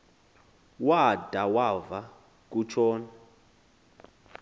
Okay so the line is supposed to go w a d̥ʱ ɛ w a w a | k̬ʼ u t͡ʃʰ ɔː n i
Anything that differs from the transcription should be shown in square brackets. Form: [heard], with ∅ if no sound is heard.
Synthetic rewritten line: w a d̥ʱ [a] w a [v] a | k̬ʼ u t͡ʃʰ ɔː n [a]